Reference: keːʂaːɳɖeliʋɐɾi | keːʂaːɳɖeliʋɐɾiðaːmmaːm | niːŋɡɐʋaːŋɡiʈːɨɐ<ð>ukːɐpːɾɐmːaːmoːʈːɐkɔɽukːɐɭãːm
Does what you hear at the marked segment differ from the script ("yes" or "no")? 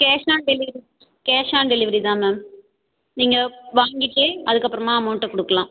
no